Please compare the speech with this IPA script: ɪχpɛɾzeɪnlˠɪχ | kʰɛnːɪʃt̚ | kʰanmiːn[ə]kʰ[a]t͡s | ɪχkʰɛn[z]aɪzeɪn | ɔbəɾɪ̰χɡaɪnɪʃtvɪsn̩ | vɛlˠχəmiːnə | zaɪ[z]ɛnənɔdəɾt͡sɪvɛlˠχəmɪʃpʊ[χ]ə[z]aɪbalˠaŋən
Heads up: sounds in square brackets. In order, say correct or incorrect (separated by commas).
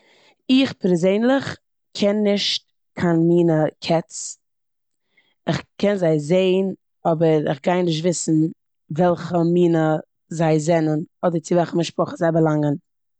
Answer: correct, incorrect, correct, correct, correct, correct